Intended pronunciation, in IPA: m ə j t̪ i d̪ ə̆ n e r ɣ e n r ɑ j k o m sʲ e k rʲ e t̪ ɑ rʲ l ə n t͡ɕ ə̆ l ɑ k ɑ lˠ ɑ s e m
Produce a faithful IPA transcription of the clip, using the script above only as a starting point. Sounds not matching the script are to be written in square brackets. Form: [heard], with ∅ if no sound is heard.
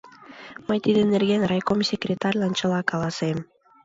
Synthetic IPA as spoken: m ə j t̪ i d̪ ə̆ n e r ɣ e n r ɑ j k o m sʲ e k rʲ e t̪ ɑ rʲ l [ɑ] n t͡ɕ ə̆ l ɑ k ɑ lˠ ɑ s e m